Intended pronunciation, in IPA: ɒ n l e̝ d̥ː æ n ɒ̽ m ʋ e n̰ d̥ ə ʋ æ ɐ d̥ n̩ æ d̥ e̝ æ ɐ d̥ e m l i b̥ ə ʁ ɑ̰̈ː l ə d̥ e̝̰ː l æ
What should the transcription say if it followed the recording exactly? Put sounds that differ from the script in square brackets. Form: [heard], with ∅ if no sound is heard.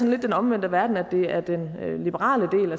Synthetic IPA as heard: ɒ n l e̝ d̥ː [e] n ɒ̽ m ʋ e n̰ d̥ ə ʋ æ ɐ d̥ n̩ æ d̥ e̝ æ ɐ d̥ e [n] l i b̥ ə ʁ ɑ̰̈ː l ə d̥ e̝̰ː l æ